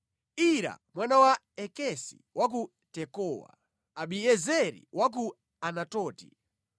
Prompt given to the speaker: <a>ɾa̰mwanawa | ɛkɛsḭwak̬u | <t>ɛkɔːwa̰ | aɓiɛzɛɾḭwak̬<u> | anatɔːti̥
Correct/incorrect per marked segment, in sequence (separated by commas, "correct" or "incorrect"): incorrect, correct, correct